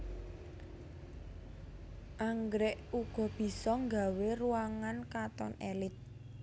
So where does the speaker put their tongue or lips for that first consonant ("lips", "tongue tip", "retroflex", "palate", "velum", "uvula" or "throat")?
throat